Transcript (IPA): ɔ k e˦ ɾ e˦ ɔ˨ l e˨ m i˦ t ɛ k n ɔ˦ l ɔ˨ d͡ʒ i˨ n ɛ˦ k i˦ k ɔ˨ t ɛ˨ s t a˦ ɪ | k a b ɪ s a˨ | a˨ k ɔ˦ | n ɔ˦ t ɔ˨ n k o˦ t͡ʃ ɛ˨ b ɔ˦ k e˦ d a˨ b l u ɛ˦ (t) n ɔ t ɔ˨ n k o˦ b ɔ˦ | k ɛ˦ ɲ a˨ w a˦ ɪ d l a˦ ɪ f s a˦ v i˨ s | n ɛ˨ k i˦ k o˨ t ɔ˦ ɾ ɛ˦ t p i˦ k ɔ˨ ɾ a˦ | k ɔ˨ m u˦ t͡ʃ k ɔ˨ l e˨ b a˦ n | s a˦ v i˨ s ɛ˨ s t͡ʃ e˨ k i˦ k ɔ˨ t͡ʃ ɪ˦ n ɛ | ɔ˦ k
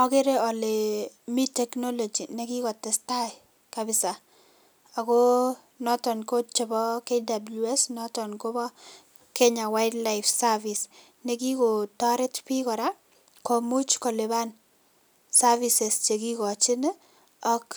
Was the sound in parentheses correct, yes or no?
no